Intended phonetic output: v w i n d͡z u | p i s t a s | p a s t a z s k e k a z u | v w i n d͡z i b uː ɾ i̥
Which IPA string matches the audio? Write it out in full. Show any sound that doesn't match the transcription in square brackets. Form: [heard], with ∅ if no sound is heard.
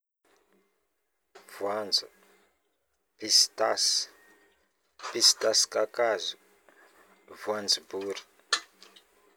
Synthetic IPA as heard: v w [a] n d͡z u | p i s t a s | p [i] s t a [∅] s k [a] k a z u | v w [a] n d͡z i b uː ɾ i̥

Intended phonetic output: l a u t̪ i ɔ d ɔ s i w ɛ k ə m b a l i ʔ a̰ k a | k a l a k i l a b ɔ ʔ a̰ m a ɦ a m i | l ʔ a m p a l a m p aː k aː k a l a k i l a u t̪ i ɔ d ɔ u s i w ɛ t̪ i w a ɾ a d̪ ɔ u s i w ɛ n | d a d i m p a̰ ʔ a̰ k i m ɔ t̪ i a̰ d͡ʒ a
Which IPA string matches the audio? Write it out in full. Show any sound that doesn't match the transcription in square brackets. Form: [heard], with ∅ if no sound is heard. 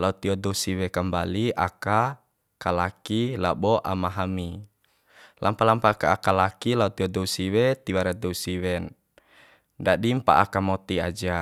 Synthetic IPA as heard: l a u t̪ i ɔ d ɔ s i w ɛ k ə m b a l i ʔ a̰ k a | k a l a k i l a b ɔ ʔ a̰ m a ɦ a m i | l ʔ a m p a l a m p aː k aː k a l a k i l a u t̪ i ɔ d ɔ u s i w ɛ t̪ i w a ɾ a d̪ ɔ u s i w ɛ n | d a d i m p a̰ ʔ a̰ k [a] m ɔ t̪ i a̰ d͡ʒ a

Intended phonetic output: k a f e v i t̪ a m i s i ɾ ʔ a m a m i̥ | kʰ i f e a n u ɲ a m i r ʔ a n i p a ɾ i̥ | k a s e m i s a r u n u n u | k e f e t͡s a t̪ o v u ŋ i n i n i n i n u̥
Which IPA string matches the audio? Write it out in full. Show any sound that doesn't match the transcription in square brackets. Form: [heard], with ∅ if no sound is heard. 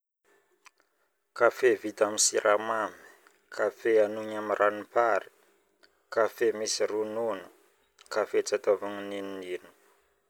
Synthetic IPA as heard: k a f e v i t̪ a m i s i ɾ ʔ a m a m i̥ | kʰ [a] f e a n u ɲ a m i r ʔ a n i p a ɾ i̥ | k a [f] e m i s [i] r u n u n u | k [a] f e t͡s a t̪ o v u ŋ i n i n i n i n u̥

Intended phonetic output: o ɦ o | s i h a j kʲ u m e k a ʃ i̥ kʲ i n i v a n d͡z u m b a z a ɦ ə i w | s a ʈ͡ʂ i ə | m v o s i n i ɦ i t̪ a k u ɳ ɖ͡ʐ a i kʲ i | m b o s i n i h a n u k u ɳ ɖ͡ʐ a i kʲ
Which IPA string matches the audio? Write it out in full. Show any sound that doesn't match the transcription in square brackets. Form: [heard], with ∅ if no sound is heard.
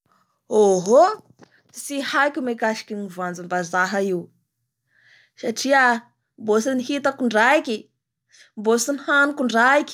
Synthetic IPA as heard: o ɦ o | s i h a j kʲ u m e k a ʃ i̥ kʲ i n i v a n d͡z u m b a z a ɦ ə i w | s a ʈ͡ʂ i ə | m [b] o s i n i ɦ i t̪ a k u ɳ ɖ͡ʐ a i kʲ i | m b o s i n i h a n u k u ɳ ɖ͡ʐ a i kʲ

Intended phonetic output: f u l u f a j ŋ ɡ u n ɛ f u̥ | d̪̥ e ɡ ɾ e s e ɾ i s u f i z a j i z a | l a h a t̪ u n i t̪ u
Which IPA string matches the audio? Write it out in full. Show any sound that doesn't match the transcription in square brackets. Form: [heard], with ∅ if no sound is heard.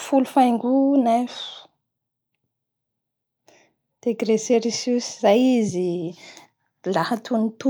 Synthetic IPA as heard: f u l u f a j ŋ ɡ u n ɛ f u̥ | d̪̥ e ɡ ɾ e s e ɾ i s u [s] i z a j i z [i] | l a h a t̪ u n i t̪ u

